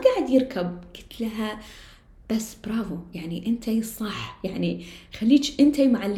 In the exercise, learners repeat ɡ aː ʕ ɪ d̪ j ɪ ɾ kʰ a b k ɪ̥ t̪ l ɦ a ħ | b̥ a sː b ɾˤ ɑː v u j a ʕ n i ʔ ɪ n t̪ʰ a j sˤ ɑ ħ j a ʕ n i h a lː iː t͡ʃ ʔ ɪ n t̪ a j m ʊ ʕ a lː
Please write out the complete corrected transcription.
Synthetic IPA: ɡ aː ʕ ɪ d̪ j ɪ ɾ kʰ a b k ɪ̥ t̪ l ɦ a | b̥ a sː b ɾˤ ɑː v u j a ʕ n i ʔ ɪ n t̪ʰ a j sˤ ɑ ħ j a ʕ n i x a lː iː t͡ʃ ʔ ɪ n t̪ a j m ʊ ʕ a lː